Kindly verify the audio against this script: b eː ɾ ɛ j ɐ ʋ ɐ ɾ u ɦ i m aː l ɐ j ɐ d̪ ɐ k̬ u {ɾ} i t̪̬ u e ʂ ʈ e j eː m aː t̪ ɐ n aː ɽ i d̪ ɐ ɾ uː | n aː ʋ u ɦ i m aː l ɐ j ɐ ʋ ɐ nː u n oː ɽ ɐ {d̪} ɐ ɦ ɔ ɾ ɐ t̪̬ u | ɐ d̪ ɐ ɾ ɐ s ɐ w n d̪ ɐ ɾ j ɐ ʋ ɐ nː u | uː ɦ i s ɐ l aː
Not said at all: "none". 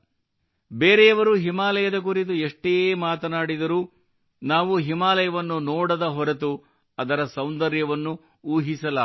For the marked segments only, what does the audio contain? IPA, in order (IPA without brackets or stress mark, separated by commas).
ɾ, d̪